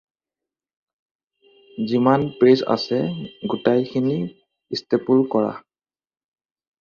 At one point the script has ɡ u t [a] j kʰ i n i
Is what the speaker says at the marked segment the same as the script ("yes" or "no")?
yes